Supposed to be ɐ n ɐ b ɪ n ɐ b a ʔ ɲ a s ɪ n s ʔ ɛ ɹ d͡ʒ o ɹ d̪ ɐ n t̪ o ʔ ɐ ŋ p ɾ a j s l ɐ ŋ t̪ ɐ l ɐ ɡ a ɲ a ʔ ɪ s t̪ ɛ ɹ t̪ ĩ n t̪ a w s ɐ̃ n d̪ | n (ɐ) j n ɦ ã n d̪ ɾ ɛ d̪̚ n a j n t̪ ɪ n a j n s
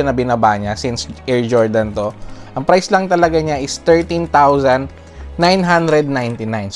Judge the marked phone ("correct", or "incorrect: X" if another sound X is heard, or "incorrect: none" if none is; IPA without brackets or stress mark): incorrect: a